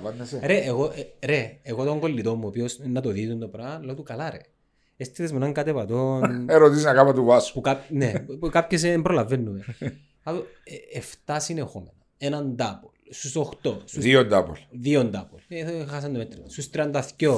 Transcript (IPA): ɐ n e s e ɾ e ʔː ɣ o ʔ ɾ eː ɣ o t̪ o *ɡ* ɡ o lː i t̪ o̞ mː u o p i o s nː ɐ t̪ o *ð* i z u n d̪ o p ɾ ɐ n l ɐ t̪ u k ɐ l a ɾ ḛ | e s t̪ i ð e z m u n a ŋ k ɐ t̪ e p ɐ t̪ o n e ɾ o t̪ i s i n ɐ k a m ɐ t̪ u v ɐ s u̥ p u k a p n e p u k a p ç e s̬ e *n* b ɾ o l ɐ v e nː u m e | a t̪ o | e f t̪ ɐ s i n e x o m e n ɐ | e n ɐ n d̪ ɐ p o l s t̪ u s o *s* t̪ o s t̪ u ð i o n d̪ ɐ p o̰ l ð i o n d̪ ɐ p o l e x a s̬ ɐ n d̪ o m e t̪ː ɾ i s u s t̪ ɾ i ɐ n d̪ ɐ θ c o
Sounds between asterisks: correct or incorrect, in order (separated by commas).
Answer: incorrect, correct, incorrect, incorrect